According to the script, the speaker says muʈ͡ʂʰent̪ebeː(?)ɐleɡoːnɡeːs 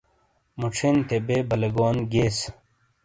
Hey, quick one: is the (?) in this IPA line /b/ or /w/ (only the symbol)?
b